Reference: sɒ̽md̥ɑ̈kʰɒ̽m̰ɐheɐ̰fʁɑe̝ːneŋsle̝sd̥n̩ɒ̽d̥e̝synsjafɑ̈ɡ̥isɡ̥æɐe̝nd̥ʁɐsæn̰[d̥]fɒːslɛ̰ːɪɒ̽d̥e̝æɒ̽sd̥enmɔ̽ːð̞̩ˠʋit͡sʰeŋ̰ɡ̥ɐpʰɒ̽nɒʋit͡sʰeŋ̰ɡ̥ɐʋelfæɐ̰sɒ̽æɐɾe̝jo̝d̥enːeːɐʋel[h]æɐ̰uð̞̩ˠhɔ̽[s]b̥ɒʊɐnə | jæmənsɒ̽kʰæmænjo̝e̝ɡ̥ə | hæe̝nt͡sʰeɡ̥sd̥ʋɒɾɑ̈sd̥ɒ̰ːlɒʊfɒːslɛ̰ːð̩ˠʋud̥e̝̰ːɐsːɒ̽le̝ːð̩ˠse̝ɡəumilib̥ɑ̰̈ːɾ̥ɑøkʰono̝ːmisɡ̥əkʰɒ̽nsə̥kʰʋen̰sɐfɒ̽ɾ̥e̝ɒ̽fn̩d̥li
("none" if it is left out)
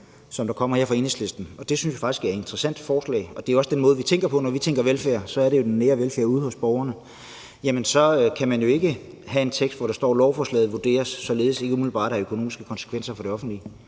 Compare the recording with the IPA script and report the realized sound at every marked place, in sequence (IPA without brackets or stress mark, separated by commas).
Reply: d̥, f, s